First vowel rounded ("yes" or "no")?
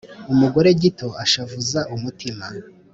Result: yes